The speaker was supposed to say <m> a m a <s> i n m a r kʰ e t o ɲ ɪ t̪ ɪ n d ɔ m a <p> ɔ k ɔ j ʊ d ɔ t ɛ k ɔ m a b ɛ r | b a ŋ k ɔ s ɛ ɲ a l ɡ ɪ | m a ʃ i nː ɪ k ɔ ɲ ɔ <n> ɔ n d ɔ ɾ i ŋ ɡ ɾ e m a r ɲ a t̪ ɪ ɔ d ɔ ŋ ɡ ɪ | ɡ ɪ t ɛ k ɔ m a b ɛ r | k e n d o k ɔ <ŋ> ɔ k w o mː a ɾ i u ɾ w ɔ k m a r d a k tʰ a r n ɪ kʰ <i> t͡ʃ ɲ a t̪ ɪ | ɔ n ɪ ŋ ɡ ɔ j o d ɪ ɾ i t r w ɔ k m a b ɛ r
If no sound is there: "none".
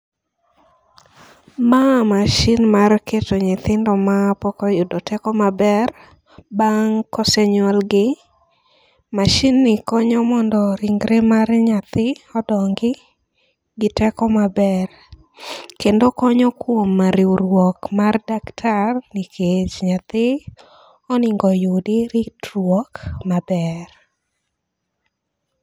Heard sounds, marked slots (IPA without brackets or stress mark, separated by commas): m, ʃ, p, m, ɲ, e